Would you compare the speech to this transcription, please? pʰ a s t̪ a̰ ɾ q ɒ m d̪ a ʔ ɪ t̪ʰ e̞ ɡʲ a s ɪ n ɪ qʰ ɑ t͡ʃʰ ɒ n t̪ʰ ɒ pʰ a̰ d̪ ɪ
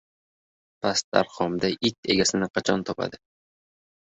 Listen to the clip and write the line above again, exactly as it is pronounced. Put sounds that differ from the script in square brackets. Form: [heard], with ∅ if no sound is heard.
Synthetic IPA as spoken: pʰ a s t̪ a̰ ɾ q ɒ m d̪ a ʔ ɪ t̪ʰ e̞ ɡʲ a s ɪ n ɪ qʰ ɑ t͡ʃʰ ɒ n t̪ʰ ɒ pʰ a̰ d̪ ɪ